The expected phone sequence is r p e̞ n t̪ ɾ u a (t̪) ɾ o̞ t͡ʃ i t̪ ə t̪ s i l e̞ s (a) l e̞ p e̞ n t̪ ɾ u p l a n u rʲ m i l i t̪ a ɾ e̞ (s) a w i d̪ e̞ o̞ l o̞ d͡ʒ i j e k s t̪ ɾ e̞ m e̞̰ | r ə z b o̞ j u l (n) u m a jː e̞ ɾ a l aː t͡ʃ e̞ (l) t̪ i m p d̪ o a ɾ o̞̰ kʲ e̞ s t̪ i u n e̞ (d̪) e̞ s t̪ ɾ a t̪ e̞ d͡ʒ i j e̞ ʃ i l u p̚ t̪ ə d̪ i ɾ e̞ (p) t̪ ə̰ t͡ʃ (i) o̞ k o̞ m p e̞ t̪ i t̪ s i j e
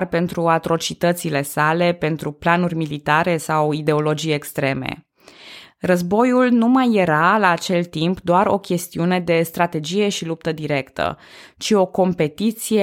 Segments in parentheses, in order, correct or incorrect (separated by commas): correct, correct, correct, correct, correct, correct, incorrect, correct